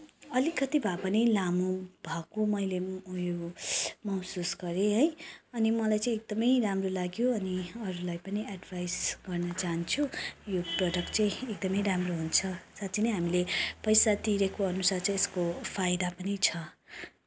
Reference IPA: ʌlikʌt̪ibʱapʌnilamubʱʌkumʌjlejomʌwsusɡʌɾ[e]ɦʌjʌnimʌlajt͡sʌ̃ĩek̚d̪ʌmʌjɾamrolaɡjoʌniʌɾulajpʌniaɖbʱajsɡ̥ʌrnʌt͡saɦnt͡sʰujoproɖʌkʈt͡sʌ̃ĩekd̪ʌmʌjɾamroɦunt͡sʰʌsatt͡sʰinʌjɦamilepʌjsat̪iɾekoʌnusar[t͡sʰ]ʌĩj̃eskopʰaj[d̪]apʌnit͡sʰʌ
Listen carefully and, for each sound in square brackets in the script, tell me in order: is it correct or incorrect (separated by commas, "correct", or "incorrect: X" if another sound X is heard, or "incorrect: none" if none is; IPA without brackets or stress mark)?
correct, incorrect: t͡s, correct